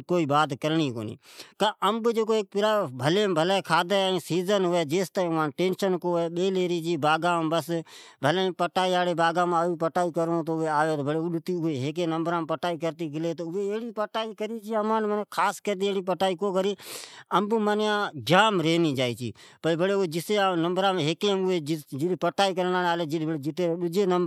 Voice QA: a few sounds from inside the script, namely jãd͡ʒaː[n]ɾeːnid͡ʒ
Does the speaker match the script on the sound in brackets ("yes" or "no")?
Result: no